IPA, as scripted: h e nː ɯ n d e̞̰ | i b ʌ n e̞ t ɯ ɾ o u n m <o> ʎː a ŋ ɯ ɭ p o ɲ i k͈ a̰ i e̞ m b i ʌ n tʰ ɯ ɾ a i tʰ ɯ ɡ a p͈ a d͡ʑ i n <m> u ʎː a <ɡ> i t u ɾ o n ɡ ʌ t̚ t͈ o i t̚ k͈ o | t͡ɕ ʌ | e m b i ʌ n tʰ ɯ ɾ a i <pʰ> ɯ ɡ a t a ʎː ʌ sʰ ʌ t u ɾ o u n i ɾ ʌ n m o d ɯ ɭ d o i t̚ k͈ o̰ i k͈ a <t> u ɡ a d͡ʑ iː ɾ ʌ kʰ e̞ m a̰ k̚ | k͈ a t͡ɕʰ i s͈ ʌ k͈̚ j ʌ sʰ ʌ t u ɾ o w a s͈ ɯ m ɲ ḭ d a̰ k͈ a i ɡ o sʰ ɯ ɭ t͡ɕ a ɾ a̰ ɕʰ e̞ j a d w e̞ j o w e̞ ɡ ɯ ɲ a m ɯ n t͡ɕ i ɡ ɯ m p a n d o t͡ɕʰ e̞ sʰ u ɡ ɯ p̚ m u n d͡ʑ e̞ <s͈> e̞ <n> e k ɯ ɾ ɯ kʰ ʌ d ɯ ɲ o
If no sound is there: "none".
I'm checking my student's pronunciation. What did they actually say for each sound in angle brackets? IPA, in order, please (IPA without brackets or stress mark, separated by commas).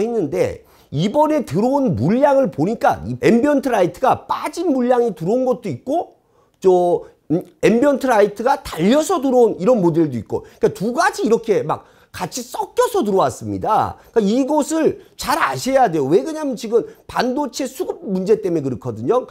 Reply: u, m, ŋ, tʰ, t, t͈, m